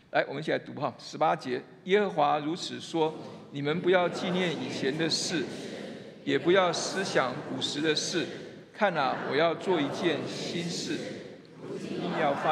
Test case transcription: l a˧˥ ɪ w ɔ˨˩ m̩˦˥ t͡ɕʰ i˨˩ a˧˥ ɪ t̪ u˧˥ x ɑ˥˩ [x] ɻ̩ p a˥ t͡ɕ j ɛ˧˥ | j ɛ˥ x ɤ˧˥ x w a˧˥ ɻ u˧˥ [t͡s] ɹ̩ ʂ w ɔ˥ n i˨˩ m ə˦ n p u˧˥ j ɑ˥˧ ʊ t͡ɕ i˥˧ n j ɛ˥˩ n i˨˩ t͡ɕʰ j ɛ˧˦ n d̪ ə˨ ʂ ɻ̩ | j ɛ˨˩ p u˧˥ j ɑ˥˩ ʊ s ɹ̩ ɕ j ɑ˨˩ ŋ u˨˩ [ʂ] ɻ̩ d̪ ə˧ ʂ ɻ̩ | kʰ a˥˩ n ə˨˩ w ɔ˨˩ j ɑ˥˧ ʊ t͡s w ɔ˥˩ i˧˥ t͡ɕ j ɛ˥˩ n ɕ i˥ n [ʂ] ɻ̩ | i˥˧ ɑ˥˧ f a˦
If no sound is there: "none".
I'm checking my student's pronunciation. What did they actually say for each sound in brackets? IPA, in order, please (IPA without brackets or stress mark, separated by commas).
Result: ʂ, t͡sʰ, ʂ, ʂ